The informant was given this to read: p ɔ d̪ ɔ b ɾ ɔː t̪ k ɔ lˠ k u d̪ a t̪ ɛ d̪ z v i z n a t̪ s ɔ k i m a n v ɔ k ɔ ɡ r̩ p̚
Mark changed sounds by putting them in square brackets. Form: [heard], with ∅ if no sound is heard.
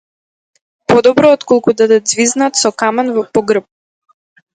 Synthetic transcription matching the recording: p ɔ d̪ ɔ b ɾ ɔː t̪ k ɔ lˠ k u d̪ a [d̪] ɛ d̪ z v i z n a t̪ s ɔ k [a] m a n v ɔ [p] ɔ ɡ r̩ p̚

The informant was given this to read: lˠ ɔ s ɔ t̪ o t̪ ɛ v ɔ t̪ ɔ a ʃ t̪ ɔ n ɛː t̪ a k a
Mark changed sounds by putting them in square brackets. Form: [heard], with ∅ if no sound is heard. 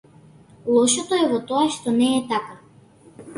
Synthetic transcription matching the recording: lˠ ɔ [ʃ] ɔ t̪ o [∅] ɛ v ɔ t̪ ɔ a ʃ t̪ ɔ n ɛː t̪ a k a

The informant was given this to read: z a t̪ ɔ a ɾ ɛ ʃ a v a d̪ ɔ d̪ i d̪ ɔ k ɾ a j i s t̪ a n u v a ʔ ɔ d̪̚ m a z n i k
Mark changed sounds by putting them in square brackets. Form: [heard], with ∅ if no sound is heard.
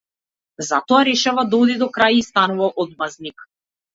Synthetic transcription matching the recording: z a t̪ ɔ a ɾ ɛ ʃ a v a d̪ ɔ d̪ i d̪ ɔ k ɾ a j i s t̪ a n u v a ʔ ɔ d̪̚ m a z n i k

